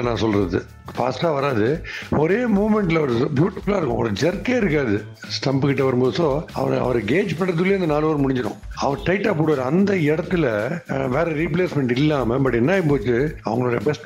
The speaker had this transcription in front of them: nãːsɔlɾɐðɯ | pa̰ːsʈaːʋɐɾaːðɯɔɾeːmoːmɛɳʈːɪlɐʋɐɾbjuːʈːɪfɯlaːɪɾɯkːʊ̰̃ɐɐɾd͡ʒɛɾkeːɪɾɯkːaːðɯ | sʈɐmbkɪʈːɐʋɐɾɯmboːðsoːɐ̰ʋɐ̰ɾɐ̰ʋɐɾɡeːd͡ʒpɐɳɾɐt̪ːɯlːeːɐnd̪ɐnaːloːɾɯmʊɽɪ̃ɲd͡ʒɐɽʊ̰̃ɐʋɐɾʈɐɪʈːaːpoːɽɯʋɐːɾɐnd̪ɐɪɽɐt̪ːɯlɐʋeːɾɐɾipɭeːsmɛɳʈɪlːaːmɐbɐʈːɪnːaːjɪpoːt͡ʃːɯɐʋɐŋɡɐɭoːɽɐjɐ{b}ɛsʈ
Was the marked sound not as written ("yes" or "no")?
no